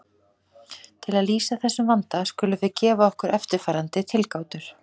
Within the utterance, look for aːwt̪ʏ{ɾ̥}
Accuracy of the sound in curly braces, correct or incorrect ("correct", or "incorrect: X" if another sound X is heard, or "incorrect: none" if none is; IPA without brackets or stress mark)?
correct